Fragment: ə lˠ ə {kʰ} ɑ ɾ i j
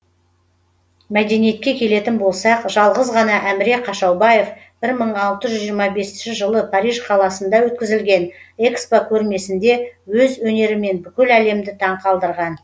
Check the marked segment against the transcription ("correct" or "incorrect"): incorrect